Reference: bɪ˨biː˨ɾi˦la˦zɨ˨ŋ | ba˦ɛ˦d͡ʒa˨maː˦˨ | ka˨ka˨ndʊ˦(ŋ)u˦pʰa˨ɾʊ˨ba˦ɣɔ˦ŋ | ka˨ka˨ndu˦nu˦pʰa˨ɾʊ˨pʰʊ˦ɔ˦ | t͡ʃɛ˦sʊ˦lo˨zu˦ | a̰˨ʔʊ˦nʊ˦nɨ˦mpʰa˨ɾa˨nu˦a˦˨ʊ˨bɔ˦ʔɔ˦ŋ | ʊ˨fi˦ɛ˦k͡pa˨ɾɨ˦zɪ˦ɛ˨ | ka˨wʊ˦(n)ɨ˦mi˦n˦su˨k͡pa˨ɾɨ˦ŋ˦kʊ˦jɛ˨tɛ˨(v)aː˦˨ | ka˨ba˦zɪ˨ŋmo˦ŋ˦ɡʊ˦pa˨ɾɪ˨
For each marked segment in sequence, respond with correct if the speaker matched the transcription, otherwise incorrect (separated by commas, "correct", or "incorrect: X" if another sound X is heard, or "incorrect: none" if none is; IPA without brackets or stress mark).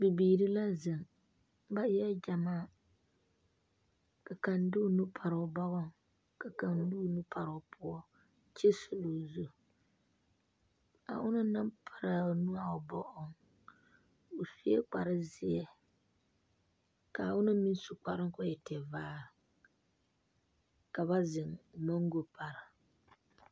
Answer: incorrect: n, correct, correct